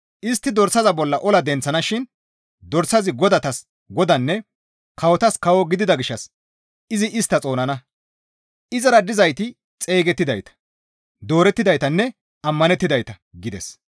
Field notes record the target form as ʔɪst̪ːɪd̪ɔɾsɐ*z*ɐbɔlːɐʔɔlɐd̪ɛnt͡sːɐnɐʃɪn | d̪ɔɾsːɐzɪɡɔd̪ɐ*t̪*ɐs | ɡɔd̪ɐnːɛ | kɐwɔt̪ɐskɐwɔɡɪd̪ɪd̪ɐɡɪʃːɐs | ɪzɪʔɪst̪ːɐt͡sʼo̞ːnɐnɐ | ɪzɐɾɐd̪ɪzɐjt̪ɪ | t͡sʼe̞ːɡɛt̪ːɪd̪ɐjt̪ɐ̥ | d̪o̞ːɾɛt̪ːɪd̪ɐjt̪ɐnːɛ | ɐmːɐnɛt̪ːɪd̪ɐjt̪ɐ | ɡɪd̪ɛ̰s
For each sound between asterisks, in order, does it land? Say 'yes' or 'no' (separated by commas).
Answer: yes, yes